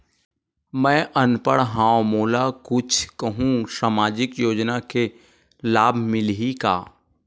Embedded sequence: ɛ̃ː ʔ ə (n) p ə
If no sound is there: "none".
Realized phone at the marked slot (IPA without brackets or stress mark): n